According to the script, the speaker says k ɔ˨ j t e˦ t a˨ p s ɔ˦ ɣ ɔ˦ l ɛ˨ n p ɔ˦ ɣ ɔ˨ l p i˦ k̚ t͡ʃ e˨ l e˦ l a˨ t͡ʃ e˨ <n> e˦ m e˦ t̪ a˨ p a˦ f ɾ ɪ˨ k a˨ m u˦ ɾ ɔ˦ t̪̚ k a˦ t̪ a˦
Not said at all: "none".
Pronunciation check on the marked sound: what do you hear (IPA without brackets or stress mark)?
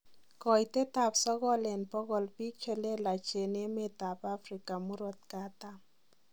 n